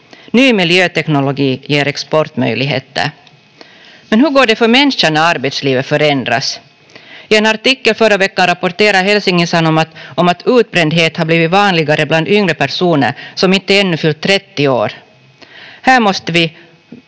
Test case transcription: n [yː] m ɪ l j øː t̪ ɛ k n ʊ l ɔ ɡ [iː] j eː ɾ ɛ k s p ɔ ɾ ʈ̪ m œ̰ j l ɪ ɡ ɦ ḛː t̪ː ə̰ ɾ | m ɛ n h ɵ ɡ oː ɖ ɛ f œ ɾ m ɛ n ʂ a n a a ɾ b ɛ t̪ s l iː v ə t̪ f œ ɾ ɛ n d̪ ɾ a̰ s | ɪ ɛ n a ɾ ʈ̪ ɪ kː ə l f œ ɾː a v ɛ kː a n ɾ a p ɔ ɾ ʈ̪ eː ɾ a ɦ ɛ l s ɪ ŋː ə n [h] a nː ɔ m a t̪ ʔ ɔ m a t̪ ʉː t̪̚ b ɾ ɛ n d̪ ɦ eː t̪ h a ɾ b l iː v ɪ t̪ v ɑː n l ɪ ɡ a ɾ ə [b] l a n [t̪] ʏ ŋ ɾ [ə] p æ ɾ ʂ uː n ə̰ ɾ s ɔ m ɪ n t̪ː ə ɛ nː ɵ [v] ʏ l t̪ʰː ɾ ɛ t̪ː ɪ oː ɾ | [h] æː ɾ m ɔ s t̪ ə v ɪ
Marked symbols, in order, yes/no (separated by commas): yes, yes, no, yes, no, yes, no, yes